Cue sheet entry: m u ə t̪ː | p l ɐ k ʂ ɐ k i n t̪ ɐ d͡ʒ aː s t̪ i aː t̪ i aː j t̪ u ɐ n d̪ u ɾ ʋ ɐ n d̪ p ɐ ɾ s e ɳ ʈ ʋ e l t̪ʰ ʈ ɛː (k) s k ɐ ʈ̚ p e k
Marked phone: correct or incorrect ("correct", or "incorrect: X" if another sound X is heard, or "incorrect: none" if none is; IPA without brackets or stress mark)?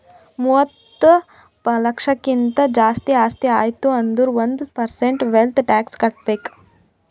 correct